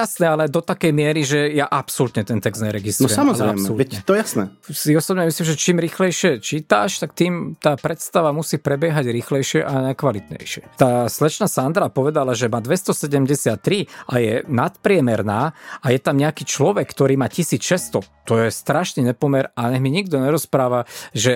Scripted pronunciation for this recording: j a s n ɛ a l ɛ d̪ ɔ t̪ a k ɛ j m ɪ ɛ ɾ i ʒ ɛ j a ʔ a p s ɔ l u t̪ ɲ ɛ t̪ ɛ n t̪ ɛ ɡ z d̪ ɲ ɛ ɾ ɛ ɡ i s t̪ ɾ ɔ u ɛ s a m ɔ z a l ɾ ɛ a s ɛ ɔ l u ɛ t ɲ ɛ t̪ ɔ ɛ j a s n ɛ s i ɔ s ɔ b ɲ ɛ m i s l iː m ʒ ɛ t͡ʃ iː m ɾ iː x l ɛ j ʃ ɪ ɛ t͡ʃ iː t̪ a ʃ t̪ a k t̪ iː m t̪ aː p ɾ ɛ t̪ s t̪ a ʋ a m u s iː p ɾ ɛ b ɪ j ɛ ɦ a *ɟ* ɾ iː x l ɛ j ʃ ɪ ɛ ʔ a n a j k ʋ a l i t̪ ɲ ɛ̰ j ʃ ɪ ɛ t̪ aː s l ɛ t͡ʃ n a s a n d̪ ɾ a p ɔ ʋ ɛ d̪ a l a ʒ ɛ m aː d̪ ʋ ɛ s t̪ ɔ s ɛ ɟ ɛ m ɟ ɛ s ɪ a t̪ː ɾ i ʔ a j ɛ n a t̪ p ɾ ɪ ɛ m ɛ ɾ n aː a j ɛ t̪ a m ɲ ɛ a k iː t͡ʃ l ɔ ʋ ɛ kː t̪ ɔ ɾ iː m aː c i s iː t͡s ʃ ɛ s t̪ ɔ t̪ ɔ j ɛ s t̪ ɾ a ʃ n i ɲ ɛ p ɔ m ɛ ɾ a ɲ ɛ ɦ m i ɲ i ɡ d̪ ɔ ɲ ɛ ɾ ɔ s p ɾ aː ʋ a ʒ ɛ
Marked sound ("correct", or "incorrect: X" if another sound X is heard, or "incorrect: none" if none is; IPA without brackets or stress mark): correct